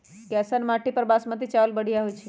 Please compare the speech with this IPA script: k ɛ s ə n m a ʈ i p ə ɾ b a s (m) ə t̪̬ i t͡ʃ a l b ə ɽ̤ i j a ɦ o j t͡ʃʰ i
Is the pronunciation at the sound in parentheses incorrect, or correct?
correct